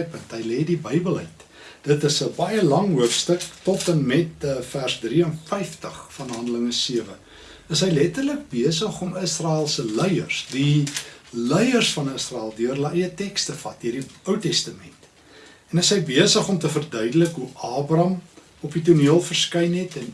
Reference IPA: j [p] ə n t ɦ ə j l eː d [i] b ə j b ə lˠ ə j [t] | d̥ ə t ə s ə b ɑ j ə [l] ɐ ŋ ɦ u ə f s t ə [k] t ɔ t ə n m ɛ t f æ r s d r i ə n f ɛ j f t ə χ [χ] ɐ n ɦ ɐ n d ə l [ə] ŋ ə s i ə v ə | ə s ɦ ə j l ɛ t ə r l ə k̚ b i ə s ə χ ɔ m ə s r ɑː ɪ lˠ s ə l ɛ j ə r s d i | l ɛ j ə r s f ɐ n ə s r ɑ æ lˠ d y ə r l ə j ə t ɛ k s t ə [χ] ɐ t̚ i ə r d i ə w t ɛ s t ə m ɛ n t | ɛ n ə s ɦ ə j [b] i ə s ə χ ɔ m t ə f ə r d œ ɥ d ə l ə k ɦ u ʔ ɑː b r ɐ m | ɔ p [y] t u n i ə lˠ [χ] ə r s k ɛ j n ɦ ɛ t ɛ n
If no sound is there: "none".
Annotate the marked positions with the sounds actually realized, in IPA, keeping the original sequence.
p, i, t, l, k, f, ə, f, b, i, f

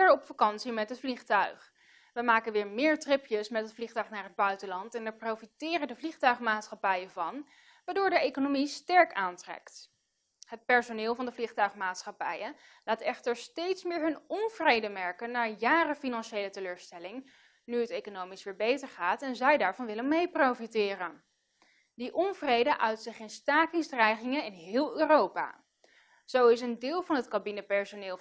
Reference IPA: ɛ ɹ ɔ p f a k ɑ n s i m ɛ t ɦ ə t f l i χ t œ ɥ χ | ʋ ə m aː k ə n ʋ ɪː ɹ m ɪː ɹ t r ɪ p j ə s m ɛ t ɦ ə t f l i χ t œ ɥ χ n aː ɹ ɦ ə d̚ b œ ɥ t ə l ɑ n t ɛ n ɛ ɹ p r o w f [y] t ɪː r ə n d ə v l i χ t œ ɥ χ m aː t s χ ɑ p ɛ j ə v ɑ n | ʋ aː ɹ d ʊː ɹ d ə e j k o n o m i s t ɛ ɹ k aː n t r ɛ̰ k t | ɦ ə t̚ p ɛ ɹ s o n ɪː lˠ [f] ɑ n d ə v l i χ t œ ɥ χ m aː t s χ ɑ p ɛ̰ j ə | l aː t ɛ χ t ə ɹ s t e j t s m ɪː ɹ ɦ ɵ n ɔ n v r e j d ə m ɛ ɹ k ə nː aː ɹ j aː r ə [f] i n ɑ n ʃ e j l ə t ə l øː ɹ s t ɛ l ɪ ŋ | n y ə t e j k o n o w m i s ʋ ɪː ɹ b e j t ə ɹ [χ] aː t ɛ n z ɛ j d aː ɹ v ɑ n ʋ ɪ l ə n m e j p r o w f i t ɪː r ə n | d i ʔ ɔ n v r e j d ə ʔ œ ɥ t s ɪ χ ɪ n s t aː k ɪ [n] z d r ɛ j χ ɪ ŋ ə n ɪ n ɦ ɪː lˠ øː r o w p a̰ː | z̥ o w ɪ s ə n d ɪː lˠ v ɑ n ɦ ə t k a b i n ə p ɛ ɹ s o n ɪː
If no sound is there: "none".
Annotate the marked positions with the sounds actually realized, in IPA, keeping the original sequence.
i, v, f, χ, ŋ

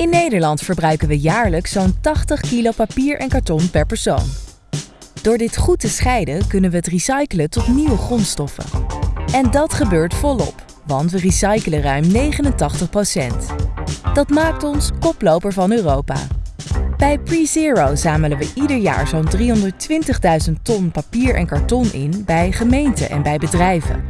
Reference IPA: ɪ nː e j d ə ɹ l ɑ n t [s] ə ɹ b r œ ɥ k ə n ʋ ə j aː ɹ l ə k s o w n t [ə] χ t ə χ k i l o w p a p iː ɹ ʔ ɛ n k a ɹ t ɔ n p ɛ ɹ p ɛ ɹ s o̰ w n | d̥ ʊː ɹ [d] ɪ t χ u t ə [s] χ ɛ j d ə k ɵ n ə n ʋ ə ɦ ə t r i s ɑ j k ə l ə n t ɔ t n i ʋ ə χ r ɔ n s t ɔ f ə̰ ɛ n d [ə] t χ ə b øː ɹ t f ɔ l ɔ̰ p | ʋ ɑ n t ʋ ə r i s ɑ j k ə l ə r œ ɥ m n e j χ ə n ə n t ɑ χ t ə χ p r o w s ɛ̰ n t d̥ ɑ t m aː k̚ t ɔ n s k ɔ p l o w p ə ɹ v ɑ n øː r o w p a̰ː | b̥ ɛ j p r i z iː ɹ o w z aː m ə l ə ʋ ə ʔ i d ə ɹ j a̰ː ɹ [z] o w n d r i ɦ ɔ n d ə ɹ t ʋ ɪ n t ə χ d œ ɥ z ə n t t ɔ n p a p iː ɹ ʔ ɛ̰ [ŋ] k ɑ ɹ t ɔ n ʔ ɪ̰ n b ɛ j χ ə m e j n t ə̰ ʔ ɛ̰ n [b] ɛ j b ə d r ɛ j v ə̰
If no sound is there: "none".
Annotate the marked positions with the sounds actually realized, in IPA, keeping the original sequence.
f, ɑ, d, s, ɑ, z, n, b

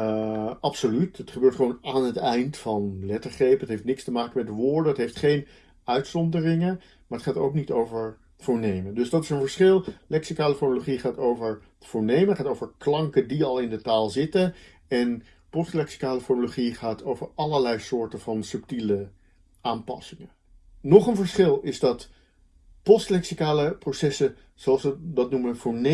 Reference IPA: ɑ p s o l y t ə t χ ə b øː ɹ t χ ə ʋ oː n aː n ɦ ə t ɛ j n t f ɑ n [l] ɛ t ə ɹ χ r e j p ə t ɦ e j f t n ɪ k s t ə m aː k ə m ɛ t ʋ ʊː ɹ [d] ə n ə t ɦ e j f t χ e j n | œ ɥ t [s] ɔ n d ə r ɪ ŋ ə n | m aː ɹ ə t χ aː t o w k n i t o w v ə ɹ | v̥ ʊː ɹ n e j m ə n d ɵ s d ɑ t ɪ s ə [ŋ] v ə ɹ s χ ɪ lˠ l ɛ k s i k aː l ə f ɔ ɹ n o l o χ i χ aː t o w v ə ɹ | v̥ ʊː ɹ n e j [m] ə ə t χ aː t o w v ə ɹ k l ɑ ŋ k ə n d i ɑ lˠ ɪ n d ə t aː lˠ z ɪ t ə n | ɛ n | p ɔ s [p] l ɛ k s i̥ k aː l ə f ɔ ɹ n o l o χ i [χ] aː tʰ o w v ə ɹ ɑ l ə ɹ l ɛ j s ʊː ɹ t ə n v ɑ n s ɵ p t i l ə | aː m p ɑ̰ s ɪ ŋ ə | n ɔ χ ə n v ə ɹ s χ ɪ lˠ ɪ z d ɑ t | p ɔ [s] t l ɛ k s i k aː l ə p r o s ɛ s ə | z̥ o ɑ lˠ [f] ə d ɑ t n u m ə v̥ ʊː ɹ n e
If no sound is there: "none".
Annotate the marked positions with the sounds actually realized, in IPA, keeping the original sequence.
l, d, s, n, m, t, χ, s, s

